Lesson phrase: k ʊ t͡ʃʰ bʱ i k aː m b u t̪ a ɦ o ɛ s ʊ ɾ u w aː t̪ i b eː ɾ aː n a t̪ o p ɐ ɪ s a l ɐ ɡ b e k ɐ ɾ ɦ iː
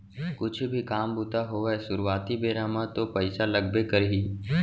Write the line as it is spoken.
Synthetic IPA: k ʊ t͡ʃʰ bʱ i k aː m b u t̪ a ɦ o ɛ s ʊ ɾ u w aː t̪ i b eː ɾ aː m a t̪ o p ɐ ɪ s a l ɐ ɡ b e k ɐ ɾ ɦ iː